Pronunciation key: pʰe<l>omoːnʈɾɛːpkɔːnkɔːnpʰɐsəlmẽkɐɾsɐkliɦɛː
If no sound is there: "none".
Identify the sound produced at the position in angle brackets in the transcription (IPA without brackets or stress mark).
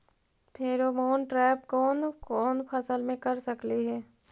ɾ